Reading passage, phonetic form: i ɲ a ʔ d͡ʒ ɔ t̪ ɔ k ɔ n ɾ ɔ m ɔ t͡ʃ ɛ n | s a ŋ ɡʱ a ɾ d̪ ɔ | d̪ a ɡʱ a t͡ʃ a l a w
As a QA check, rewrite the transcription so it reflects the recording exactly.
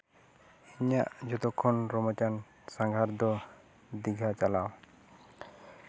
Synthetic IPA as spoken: i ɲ a ʔ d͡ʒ ɔ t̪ ɔ kʰ ɔ n ɾ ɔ m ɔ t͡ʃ a n | s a ŋ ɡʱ a ɾ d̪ ɔ | d̪ i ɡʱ a t͡ʃ a l a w

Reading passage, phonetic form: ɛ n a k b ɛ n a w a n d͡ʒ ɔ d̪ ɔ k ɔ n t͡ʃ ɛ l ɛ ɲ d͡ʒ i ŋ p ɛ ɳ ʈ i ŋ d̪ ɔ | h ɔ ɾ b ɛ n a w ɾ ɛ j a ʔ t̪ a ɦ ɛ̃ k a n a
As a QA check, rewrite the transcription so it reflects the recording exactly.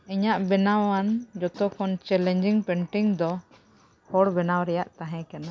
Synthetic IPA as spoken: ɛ ɲ a ʔ b ɛ n a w a n d͡ʒ ɔ t̪ ɔ k ɔ n t͡ʃ ɛ l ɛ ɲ d͡ʒ i ŋ p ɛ ɳ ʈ i ŋ d̪ ɔ | h ɔ ɽ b ɛ n a w ɾ ɛ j a ʔ t̪ a ɦ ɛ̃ k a n a

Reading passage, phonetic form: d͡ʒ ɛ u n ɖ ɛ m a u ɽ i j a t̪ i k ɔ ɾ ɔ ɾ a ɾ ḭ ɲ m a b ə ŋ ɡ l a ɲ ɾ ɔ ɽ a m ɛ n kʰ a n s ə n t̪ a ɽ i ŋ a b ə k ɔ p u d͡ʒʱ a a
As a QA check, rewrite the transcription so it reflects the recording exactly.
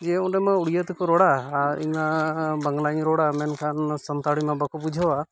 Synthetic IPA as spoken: d͡ʒ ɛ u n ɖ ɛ m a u ɽ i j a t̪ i k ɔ ɾ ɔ ɽ a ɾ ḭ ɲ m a b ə ŋ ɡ l a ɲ ɾ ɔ ɽ a m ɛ n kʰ a n s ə n t̪ a ɽ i m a b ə k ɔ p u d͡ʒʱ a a

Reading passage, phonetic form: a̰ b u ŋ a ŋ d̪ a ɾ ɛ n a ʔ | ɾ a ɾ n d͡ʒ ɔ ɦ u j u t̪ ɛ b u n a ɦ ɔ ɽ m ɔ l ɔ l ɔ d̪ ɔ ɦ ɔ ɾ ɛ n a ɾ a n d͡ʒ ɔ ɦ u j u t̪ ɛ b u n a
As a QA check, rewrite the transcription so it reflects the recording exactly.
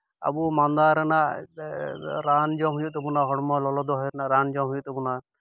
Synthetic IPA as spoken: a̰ b u m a n d̪ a ɾ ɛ n a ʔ | ɾ a n d͡ʒ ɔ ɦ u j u t̪ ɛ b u n a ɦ ɔ ɽ m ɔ l ɔ l ɔ d̪ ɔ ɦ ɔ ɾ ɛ n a ɾ a n d͡ʒ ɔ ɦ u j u t̪ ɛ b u n a

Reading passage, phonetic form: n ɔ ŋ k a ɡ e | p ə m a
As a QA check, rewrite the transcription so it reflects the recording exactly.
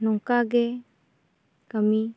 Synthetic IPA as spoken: n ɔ ŋ k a ɡ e | k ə m i

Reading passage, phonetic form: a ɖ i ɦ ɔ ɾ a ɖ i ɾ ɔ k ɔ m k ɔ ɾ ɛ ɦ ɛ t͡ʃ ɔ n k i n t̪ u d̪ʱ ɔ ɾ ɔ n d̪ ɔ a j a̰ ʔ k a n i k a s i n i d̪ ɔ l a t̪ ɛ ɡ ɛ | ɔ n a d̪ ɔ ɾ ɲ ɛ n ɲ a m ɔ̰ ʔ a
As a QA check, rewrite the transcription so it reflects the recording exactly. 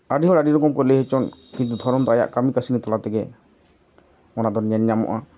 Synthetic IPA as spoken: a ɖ i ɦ ɔ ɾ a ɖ i ɾ ɔ k ɔ m k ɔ l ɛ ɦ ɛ t͡ʃ ɔ n k i n t̪ u d̪ʱ ɔ ɾ ɔ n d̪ ɔ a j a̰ ʔ k a m i k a s i n i t̪ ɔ l a t̪ ɛ ɡ ɛ | ɔ n a d̪ ɔ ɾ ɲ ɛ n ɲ a m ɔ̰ ʔ a

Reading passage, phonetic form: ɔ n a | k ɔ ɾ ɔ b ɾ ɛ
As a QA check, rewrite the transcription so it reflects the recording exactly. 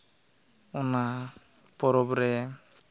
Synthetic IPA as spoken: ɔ n a | p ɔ ɾ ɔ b ɾ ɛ

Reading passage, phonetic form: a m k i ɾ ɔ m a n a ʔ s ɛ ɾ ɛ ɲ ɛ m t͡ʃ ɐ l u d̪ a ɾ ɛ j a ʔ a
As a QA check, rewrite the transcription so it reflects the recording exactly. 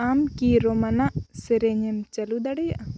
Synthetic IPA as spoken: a m k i ɾ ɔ m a n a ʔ s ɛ ɾ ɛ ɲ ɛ m t͡ʃ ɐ l u d̪ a ɽ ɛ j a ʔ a

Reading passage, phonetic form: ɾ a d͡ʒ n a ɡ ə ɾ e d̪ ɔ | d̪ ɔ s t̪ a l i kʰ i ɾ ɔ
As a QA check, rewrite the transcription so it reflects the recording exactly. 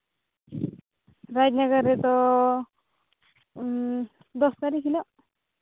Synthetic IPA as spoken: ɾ a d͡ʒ n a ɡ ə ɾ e t̪ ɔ | d̪ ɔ s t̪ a ɾ i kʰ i l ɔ

